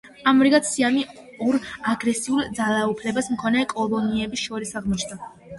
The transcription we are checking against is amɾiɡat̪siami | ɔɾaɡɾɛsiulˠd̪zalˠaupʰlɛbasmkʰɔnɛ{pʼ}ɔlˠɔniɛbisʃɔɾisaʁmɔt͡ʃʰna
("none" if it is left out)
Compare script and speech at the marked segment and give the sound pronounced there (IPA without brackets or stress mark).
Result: kʼ